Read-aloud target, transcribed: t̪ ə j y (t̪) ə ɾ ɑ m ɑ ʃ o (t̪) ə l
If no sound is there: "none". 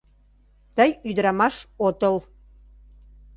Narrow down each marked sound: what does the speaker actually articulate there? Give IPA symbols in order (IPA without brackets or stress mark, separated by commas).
d̪, t̪